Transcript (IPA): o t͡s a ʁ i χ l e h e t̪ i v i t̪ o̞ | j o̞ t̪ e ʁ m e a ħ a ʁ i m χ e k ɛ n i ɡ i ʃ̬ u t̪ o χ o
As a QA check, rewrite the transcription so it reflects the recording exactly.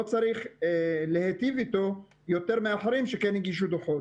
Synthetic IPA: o t͡s a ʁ i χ l e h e t̪ i v i t̪ o̞ | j o̞ t̪ e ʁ m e a ħ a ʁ i m ʃ e k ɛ n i ɡ i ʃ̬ u d̪ o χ o